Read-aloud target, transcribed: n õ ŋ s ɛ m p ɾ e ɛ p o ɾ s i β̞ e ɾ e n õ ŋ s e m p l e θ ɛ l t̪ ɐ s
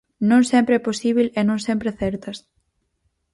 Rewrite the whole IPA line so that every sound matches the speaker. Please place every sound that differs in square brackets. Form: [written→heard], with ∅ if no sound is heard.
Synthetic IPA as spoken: n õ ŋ s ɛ m p ɾ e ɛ p o [ɾ→∅] s i β̞ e [ɾ→l] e n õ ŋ s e m p [l→ɾ] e θ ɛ [l→ɾ] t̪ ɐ s